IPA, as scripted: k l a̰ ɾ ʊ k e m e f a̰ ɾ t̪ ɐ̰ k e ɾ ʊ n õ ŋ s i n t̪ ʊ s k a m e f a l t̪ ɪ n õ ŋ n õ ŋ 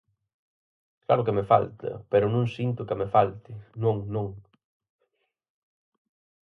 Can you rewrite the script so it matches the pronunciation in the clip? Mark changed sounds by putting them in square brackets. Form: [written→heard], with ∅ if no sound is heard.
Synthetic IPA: k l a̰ ɾ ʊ k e m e f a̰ [ɾ→l] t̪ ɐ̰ [k→p] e ɾ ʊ n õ ŋ s i n t̪ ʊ [s→∅] k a m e f a l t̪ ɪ n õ ŋ n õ ŋ